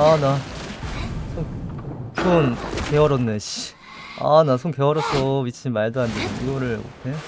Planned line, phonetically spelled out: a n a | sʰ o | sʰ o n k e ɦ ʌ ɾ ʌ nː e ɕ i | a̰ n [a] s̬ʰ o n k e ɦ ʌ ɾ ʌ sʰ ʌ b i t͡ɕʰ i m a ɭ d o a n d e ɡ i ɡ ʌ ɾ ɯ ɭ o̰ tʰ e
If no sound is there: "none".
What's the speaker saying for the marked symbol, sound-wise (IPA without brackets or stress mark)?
a